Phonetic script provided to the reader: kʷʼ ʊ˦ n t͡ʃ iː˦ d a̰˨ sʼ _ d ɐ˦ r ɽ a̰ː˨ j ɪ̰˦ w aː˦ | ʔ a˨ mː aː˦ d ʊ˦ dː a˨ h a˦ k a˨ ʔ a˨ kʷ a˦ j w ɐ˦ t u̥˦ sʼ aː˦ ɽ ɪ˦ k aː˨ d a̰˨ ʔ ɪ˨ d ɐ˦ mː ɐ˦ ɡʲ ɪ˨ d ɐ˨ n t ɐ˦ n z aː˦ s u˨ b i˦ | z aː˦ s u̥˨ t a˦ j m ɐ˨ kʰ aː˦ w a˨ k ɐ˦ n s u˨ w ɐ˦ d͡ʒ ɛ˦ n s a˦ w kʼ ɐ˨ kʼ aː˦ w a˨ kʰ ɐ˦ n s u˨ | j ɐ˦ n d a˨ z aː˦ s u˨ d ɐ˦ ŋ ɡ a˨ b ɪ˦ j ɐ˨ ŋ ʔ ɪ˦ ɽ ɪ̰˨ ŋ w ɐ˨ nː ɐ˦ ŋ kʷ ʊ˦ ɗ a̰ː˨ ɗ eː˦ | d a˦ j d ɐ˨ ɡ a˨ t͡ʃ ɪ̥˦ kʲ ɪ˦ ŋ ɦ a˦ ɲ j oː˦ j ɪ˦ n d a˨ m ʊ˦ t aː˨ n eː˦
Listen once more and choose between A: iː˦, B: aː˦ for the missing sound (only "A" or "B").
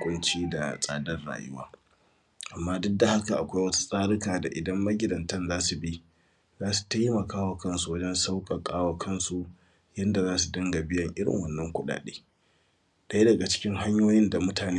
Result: B